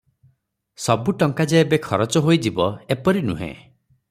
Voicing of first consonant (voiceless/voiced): voiceless